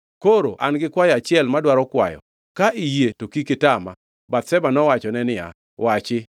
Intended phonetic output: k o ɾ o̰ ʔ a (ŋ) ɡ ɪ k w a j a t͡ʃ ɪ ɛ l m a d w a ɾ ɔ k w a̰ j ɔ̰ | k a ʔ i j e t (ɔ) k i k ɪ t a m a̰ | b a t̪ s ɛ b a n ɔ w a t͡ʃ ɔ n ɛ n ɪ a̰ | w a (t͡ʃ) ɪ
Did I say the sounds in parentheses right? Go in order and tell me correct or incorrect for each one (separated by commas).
incorrect, incorrect, correct